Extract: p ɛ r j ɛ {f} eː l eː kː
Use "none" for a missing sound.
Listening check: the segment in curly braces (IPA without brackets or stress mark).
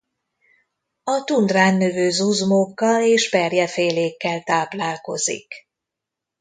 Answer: f